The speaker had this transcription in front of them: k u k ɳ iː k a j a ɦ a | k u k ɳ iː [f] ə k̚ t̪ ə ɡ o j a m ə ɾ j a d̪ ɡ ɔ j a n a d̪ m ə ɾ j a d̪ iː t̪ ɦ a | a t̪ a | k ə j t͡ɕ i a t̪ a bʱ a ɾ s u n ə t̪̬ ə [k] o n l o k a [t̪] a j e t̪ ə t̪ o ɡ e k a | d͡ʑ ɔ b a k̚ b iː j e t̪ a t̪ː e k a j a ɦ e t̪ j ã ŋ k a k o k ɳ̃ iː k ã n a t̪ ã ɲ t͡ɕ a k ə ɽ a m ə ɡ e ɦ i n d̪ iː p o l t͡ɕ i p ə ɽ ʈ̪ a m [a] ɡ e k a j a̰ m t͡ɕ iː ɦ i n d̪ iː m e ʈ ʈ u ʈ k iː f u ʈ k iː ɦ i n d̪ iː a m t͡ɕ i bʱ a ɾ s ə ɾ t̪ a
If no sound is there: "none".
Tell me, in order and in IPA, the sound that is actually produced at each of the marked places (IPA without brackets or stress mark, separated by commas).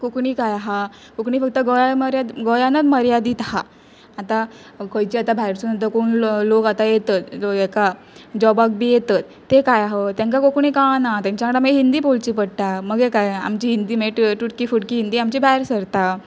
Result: f, k, t̪, ə